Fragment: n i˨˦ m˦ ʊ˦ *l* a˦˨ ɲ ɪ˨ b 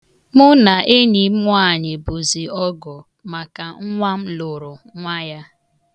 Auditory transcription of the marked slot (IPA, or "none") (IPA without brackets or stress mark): none